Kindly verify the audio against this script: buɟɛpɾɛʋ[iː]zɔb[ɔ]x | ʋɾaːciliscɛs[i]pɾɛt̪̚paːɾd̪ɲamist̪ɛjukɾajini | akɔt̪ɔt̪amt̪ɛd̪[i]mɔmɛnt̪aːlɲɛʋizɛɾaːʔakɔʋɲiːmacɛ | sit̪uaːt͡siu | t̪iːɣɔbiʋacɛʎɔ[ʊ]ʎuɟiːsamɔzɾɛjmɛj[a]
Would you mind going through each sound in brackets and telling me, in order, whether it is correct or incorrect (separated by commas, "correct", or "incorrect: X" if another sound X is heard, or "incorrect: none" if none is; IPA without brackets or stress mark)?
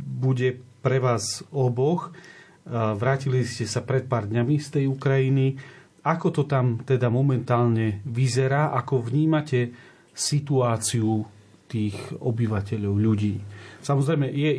incorrect: aː, correct, incorrect: a, incorrect: a, correct, incorrect: ɛ